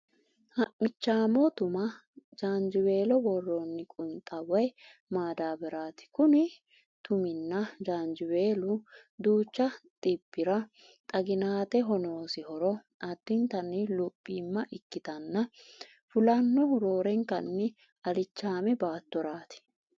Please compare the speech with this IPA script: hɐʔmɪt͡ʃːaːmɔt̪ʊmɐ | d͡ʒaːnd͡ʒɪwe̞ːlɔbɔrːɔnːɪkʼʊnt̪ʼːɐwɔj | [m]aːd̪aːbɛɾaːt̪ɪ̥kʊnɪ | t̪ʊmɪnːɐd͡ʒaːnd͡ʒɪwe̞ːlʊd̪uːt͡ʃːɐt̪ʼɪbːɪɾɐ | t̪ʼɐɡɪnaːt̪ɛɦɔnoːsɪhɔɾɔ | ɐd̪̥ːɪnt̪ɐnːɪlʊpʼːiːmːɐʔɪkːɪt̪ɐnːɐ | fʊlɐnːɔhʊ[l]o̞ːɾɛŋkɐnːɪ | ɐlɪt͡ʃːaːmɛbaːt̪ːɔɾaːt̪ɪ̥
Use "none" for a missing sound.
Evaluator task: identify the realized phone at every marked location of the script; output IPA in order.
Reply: m, ɾ

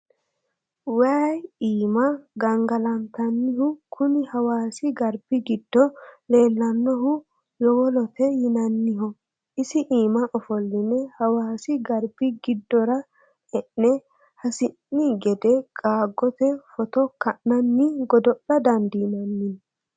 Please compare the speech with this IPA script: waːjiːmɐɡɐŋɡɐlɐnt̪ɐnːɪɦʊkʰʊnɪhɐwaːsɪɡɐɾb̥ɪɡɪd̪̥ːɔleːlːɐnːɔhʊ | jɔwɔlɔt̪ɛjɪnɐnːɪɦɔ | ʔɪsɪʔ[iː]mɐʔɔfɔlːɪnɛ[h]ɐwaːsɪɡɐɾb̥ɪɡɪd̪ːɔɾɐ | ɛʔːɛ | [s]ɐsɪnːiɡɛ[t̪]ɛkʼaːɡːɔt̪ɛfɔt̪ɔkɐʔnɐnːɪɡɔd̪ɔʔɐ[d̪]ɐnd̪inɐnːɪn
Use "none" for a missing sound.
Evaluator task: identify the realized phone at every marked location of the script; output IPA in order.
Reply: iː, h, h, d̪, d̪

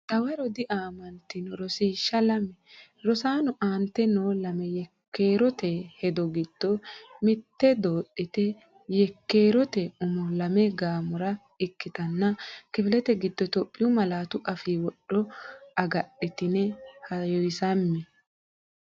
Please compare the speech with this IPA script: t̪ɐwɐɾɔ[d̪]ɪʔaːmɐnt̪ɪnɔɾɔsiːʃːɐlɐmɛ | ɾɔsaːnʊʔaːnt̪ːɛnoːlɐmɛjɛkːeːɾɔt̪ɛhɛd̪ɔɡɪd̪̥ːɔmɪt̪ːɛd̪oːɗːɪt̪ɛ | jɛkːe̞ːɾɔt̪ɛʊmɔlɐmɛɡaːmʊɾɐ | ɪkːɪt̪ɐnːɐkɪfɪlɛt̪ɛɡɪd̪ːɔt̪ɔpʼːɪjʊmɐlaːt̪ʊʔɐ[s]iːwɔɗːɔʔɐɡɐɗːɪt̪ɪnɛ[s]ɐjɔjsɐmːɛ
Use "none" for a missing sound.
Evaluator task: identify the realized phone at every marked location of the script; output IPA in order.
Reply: d̪, f, h

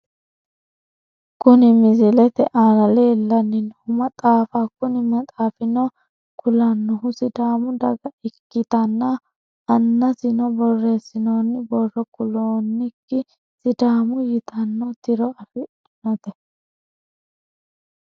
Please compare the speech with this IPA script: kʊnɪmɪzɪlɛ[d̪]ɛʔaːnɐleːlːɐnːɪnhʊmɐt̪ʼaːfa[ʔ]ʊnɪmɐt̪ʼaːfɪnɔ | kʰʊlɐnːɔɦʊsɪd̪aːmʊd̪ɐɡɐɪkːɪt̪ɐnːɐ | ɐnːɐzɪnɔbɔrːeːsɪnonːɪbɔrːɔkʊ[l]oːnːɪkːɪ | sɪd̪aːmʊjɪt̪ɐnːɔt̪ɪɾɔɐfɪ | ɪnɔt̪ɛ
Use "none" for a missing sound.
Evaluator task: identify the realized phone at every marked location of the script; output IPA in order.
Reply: t̪, k, l

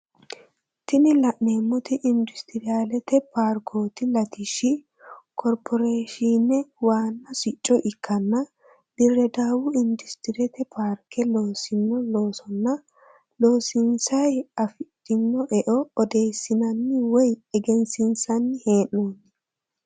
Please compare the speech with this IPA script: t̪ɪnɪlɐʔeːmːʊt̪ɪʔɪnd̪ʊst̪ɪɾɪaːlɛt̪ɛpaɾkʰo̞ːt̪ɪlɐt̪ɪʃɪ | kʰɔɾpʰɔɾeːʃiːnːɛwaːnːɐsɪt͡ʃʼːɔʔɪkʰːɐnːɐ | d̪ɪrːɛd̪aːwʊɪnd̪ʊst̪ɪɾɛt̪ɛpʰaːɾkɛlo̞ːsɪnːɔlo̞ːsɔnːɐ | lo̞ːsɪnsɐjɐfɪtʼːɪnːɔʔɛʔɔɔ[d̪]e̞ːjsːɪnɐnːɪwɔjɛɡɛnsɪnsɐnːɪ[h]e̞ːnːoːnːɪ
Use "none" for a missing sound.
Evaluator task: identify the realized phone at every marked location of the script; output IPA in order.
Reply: d̪, h

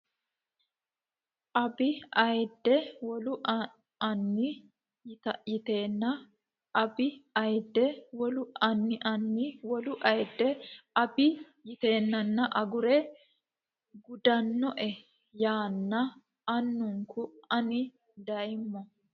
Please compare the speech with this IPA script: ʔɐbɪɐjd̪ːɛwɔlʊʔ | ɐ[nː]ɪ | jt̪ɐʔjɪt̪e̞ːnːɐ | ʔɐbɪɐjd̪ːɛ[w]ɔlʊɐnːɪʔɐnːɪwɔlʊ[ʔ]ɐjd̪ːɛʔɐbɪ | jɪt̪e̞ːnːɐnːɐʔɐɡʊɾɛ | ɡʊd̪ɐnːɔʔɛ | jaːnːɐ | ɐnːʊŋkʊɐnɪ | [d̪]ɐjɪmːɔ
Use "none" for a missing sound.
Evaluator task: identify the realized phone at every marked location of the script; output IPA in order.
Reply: nː, w, ʔ, d̪

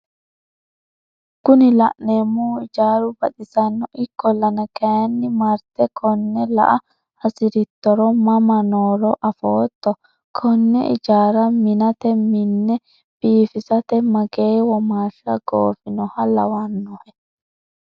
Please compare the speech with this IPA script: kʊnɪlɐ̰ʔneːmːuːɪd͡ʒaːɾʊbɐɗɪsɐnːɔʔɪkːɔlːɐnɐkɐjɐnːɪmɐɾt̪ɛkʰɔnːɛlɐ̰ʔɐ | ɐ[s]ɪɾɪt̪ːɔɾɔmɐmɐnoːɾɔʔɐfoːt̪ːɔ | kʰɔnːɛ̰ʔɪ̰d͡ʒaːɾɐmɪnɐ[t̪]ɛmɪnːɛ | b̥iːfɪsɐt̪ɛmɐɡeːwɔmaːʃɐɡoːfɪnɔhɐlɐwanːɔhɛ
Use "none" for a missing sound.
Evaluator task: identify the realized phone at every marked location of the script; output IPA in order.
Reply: s, t̪

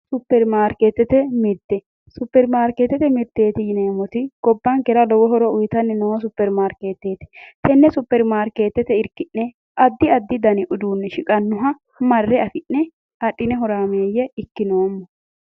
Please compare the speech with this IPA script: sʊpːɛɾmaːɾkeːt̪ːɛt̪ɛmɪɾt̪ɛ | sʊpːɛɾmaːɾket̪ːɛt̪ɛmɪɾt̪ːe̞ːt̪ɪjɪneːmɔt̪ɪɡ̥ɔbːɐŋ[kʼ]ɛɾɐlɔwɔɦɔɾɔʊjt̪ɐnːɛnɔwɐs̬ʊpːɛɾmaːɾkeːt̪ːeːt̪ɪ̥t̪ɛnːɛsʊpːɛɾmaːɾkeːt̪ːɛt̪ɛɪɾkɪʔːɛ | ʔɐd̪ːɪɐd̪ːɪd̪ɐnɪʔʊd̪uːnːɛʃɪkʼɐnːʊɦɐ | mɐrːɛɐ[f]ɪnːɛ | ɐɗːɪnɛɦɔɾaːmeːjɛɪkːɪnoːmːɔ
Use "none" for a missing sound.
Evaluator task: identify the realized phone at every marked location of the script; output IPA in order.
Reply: k, f

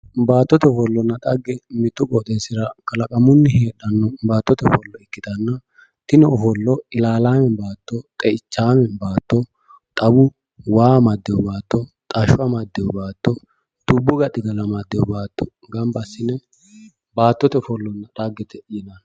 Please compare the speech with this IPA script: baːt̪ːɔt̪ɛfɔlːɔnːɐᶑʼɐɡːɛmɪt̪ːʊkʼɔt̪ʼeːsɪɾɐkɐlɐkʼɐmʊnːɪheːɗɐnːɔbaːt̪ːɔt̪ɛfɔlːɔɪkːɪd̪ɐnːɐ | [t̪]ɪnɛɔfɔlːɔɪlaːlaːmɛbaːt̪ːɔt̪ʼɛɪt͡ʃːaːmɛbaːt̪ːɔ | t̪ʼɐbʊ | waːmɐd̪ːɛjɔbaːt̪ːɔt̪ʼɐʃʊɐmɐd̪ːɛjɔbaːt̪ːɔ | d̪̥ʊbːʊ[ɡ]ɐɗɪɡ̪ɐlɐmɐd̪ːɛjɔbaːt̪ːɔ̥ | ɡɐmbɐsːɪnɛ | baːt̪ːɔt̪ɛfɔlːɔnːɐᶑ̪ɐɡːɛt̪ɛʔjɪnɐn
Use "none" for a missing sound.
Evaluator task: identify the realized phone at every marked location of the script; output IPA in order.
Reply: t̪, ɡ

